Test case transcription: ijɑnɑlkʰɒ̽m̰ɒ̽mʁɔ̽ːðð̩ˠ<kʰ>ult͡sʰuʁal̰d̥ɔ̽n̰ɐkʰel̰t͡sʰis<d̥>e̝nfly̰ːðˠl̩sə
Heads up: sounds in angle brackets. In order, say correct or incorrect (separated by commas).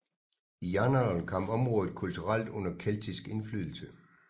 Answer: correct, incorrect